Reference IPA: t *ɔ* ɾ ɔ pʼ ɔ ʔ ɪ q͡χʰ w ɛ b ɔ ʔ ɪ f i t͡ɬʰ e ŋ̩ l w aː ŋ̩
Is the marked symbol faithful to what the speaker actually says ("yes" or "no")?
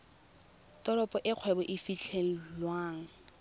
yes